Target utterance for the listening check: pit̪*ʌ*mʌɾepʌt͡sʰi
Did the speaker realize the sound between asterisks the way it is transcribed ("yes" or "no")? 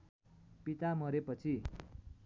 no